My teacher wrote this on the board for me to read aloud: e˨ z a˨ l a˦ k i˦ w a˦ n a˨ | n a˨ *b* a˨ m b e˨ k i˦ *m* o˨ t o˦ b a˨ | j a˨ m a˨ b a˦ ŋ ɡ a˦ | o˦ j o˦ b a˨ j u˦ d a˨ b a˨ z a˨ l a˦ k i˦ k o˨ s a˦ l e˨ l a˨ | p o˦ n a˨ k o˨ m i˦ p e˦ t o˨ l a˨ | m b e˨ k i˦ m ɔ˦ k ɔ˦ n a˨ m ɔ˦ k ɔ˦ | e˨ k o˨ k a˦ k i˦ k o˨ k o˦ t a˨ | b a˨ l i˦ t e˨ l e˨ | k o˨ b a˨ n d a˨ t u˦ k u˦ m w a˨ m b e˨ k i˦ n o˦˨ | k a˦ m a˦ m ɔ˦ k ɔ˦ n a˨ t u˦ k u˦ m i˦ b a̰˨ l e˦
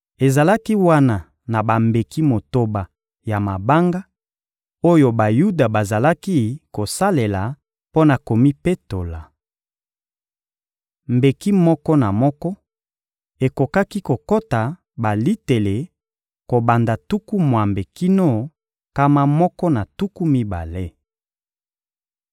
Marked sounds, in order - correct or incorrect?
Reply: correct, correct

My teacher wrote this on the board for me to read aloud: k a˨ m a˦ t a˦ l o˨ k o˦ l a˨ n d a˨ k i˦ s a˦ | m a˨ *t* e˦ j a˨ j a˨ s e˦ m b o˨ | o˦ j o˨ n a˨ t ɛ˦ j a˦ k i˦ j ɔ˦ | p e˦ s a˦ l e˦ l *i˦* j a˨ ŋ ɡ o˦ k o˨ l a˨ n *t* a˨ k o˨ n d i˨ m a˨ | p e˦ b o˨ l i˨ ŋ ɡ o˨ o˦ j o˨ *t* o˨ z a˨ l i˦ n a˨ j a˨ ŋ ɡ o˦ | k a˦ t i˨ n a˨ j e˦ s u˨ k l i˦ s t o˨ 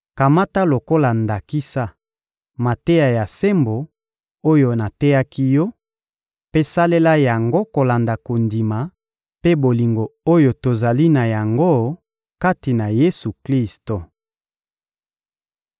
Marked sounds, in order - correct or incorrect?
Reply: correct, incorrect, incorrect, correct

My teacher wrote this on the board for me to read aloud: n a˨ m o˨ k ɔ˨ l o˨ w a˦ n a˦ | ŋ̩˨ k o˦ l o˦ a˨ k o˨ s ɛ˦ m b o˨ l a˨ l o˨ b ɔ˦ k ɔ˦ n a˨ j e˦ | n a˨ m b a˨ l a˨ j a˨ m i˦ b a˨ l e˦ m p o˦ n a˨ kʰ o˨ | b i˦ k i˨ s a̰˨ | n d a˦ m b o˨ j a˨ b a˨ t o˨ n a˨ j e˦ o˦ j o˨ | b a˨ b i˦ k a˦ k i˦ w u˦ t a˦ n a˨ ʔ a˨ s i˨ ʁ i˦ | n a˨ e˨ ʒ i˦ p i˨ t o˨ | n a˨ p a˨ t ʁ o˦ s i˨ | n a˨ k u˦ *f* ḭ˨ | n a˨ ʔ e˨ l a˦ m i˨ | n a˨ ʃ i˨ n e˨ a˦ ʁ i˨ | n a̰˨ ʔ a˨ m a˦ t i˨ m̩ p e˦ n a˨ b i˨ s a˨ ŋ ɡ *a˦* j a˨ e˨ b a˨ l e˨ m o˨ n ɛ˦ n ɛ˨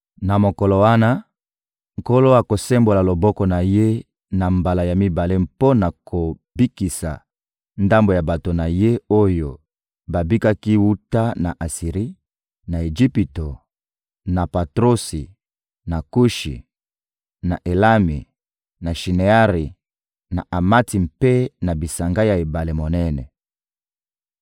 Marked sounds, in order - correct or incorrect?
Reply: incorrect, correct

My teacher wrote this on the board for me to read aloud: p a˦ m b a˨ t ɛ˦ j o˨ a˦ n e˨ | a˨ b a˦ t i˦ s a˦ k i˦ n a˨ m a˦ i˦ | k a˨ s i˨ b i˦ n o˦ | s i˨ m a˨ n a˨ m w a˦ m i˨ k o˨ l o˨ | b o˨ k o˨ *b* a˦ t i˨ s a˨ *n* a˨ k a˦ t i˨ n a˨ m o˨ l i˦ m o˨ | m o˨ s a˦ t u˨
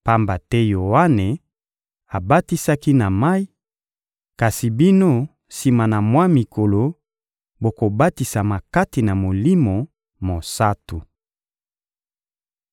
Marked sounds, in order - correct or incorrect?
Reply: correct, incorrect

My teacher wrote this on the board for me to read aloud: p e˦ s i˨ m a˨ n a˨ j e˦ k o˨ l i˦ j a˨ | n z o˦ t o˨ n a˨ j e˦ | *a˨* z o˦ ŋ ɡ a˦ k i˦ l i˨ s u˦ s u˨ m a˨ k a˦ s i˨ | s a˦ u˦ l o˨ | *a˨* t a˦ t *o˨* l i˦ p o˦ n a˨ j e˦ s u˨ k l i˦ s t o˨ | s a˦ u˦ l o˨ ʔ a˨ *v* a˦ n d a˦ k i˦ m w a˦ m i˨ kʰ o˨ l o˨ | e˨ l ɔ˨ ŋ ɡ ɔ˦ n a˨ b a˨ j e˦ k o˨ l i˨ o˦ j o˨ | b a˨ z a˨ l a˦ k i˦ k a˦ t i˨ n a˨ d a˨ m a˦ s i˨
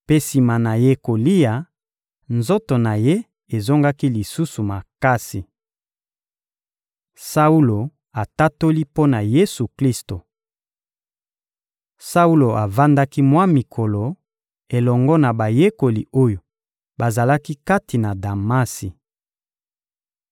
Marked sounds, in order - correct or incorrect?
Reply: incorrect, correct, incorrect, correct

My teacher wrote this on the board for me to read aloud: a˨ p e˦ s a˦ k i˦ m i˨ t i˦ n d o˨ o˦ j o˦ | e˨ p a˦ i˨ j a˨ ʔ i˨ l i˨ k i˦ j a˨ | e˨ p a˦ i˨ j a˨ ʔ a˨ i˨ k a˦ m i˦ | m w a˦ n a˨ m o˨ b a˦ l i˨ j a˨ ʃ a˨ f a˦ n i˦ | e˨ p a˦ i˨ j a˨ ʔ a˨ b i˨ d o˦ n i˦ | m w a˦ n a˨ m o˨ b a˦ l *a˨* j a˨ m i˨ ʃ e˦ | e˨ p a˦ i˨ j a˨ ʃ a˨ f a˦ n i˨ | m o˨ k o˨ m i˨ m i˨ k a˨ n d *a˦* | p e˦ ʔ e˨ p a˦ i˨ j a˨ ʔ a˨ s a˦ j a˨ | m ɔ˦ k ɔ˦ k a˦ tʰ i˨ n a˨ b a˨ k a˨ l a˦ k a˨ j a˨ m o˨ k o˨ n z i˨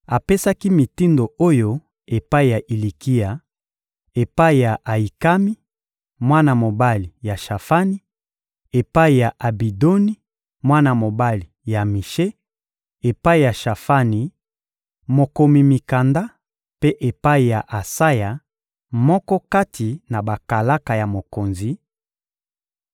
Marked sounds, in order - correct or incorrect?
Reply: incorrect, correct

